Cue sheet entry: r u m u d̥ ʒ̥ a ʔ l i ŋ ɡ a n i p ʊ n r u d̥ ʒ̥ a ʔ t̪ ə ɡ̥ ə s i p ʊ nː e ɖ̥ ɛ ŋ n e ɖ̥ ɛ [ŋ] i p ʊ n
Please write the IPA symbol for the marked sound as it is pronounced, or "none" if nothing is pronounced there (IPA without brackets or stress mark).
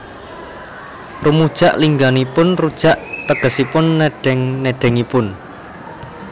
ŋ